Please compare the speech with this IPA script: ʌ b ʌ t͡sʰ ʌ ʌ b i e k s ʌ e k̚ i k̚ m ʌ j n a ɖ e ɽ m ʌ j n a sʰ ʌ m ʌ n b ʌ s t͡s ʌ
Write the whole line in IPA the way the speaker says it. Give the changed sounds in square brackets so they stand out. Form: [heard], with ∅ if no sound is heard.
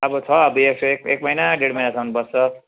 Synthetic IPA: ʌ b ʌ t͡sʰ ʌ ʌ b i e k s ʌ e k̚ [e] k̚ m ʌ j n a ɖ e ɽ m ʌ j n a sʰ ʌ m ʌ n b ʌ s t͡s ʌ

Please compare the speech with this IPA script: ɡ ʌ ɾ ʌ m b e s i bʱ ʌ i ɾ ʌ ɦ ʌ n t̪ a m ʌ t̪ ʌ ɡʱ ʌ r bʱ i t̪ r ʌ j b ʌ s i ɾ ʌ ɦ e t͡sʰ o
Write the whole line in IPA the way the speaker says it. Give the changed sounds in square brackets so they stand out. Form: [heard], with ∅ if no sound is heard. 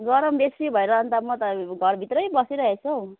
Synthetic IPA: ɡ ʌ ɾ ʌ m b e s i bʱ ʌ [e] ɾ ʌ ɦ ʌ n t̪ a m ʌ t̪ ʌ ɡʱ ʌ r bʱ i t̪ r ʌ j b ʌ s i ɾ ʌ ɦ e t͡sʰ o

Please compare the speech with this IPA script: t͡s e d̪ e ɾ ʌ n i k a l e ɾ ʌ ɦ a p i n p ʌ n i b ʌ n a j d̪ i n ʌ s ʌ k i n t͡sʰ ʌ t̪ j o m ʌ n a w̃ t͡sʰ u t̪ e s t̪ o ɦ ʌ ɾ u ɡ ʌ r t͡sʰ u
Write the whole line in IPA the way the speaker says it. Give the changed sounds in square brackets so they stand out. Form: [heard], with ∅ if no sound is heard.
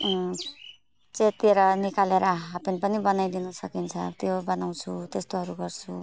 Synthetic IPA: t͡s e [t̪] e ɾ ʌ n i k a l e ɾ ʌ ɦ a p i n p ʌ n i b ʌ n a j d̪ i n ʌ s ʌ k i n t͡sʰ ʌ t̪ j o [b] ʌ n a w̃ t͡sʰ u t̪ e s t̪ o ɦ ʌ ɾ u ɡ ʌ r t͡sʰ u

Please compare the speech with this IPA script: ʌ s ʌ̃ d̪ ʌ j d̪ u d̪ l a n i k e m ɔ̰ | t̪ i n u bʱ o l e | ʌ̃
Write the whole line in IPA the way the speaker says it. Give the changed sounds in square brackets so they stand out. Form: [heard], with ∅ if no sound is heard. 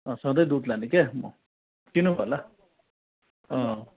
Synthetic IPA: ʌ s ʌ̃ d̪ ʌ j d̪ u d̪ l a n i k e m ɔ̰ | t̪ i n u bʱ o l [a] | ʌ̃

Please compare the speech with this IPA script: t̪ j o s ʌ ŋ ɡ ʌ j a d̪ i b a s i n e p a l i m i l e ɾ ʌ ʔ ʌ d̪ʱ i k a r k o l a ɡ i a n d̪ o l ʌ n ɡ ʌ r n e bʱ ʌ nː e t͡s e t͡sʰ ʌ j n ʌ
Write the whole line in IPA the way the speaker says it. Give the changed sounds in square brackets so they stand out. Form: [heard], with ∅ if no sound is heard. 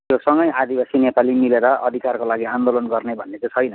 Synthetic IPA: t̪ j o s ʌ ŋ ɡ ʌ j a d̪ i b a s i n e p a l i m i l e ɾ ʌ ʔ ʌ d̪ʱ i k a r k o l a ɡ i a n d̪ o l ʌ n ɡ ʌ r n e bʱ ʌ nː e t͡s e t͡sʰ ʌ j n ʌ

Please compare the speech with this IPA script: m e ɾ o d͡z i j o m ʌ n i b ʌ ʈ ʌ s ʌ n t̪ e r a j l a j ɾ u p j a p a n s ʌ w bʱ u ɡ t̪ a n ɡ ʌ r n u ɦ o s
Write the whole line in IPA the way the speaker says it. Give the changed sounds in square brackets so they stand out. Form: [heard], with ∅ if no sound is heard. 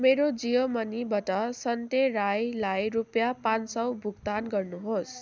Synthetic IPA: m e ɾ o d͡z i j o m ʌ n i b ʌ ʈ ʌ s ʌ n t̪ e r a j l a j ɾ u p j a p a n s ʌ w bʱ u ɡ t̪ a n ɡ ʌ r n u ɦ o s

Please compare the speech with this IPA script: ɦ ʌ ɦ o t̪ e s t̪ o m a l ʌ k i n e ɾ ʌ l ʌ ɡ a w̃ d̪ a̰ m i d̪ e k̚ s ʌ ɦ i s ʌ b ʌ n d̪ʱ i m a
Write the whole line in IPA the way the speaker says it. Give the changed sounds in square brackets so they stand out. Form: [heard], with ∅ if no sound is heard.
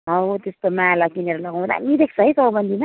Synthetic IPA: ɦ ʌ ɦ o t̪ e s t̪ o m a l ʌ k i n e ɾ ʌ l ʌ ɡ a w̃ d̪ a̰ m i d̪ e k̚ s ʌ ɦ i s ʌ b ʌ n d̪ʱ i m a

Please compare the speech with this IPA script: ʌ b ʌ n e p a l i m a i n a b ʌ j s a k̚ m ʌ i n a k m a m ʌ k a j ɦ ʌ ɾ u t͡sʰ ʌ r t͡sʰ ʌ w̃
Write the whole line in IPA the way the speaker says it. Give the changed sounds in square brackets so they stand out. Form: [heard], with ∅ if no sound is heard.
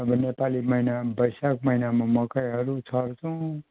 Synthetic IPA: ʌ b ʌ n e p a l i m [ʌ] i n a b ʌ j s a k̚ m ʌ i n a [∅] m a m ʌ k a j ɦ ʌ ɾ u t͡sʰ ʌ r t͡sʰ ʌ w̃

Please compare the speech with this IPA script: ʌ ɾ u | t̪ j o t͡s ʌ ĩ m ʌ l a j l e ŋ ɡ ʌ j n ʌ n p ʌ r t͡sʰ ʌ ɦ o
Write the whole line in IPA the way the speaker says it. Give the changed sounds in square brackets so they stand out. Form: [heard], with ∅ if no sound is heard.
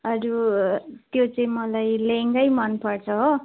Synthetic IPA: ʌ ɾ u | t̪ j o t͡s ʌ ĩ m ʌ l a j l e ŋ ɡ ʌ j [m] ʌ n p ʌ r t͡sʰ ʌ ɦ o

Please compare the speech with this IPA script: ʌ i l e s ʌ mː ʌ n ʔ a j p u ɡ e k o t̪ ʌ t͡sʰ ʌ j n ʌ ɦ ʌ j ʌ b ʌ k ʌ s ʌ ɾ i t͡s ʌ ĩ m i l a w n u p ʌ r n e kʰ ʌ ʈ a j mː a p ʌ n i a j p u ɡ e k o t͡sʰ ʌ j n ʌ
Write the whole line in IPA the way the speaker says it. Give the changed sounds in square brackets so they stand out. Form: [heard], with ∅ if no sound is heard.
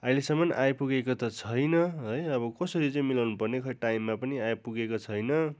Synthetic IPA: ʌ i l e s ʌ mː ʌ n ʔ a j p u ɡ e k o t̪ ʌ t͡sʰ ʌ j n ʌ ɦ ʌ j ʌ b ʌ k ʌ s ʌ ɾ i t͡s ʌ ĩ m i l a w n u p ʌ r n e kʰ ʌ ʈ a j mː a p ʌ n i a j p u ɡ e k o t͡sʰ ʌ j n ʌ

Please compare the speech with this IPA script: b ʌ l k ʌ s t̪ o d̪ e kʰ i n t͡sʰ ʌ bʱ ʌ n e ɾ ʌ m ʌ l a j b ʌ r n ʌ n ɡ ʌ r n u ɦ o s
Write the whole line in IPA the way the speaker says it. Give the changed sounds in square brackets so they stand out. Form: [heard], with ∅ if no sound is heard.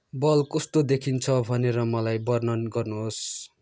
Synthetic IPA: b ʌ l k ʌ s t̪ o d̪ e kʰ i n t͡sʰ ʌ bʱ ʌ n e ɾ ʌ m ʌ l a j b ʌ r n ʌ n ɡ ʌ r n u ɦ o s

